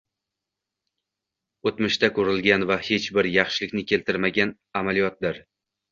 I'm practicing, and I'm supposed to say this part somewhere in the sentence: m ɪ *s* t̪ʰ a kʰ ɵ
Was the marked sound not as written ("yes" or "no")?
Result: yes